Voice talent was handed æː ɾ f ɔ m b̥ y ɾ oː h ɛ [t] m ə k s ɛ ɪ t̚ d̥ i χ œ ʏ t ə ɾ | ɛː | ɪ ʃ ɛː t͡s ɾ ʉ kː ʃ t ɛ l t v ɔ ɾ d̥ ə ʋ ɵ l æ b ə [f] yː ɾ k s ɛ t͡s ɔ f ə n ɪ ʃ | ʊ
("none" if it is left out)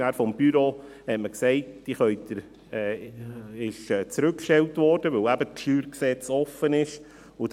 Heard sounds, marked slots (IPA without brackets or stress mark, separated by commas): t, ʃ